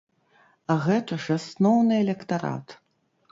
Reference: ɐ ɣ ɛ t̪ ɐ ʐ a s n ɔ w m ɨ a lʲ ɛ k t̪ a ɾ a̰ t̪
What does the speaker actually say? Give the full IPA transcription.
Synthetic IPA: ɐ ɣ ɛ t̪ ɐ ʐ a s n ɔ w n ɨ ɛ lʲ ɛ k t̪ a ɾ a̰ t̪